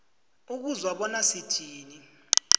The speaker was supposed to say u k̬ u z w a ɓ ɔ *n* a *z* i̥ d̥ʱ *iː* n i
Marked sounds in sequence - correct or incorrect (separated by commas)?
correct, incorrect, correct